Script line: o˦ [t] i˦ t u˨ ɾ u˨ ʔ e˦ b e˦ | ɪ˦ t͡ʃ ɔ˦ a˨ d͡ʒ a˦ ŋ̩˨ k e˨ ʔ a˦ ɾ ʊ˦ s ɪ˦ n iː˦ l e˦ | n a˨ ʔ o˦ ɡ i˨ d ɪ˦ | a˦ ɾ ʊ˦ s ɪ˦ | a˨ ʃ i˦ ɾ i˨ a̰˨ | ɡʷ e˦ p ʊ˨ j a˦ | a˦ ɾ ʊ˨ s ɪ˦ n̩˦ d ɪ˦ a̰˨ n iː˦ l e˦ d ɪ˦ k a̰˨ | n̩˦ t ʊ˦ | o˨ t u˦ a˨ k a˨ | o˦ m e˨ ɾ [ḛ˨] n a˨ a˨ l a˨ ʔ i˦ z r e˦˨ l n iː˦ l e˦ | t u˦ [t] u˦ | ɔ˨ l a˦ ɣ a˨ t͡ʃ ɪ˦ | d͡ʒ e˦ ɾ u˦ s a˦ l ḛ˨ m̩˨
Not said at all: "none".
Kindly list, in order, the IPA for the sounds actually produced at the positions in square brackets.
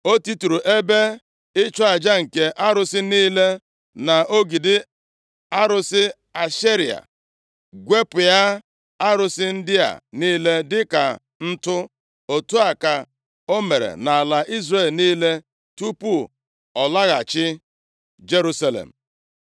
t, ḛ˨, p

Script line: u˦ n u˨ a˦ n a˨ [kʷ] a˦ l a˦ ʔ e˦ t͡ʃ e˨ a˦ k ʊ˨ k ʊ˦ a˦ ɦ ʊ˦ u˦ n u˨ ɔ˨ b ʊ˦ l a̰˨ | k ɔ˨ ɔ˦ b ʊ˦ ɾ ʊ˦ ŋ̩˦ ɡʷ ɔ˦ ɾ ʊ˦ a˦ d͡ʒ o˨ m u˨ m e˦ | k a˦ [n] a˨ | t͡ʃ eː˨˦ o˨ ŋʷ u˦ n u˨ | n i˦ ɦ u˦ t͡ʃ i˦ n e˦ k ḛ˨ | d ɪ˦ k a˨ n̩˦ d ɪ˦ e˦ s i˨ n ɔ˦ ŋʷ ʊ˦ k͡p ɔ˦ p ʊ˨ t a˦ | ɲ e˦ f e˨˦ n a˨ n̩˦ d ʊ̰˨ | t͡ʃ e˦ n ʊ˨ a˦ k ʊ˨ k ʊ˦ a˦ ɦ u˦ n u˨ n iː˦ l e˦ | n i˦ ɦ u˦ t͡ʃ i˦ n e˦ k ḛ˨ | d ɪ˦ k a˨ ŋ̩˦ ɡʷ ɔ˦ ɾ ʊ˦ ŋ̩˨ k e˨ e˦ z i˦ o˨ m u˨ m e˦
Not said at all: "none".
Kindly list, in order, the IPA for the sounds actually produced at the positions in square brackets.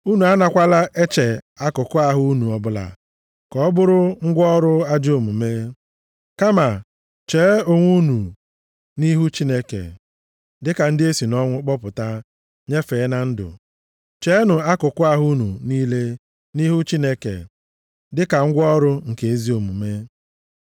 kʷ, m

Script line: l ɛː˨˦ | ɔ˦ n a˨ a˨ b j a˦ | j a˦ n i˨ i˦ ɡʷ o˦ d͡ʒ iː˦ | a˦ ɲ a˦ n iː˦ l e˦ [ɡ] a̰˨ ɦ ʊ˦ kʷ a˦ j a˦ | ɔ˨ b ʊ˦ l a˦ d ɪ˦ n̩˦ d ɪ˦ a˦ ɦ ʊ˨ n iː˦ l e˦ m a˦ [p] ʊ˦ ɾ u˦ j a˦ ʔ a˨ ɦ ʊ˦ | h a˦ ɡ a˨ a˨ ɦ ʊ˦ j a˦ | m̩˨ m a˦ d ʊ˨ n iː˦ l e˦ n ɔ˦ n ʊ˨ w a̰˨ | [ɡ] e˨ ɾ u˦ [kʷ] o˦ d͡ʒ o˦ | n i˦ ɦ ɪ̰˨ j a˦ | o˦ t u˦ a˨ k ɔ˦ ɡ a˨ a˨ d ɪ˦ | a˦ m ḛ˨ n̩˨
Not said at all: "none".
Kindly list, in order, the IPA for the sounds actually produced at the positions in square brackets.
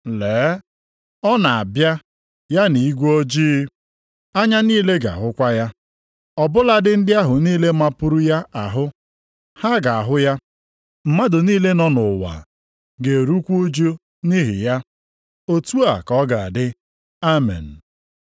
ɡ, p, ɡ, kʷ

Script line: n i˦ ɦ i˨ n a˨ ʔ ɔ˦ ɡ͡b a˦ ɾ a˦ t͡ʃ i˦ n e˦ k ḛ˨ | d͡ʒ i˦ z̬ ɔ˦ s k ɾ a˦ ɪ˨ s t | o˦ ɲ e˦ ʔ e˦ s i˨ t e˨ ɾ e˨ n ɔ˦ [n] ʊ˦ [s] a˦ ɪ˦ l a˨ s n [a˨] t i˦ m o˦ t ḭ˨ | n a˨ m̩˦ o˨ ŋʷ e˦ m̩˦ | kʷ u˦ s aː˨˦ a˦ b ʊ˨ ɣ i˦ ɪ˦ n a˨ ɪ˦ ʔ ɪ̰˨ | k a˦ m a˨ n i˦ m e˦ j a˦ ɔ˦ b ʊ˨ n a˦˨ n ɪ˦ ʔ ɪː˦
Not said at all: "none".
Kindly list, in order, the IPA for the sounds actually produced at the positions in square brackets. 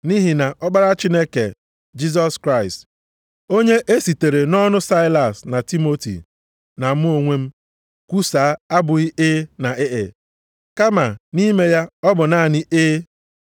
n, s, a˨

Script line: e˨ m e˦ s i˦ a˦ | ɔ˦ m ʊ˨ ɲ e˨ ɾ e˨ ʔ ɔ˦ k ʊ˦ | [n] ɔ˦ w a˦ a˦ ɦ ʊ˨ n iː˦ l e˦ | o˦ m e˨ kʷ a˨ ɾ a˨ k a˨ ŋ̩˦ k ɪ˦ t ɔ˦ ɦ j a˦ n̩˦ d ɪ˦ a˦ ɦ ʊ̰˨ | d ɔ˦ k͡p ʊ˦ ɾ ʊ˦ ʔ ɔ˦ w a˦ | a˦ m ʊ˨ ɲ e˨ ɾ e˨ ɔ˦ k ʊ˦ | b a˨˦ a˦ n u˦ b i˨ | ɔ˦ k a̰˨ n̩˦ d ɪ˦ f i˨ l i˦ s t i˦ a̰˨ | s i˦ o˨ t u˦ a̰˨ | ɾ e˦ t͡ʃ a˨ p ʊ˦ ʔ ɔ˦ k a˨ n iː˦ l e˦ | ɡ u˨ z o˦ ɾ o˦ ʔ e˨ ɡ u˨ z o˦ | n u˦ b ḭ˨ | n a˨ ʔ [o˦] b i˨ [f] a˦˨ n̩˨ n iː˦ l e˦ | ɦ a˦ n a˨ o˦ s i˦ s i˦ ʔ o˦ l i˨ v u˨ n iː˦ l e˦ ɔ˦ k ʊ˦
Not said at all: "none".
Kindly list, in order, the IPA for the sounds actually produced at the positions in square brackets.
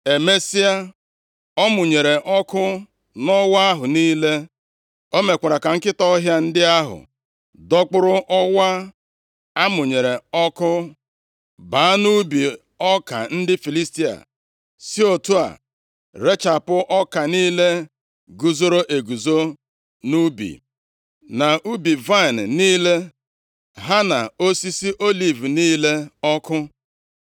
n, u˦, v

